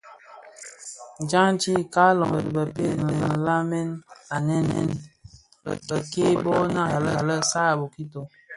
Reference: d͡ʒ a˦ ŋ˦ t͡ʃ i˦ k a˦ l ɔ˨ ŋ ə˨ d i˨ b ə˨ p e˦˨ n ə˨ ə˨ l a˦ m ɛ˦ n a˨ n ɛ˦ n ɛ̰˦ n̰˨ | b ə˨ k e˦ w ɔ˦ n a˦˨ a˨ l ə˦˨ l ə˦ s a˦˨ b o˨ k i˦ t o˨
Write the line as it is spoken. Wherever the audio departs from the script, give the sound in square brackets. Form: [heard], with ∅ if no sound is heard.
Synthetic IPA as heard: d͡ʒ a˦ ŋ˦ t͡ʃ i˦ k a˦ l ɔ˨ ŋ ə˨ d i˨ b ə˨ p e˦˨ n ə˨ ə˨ l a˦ m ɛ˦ n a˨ n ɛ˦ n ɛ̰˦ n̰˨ | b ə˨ k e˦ [b] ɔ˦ n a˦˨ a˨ l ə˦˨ l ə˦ s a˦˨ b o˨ k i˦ t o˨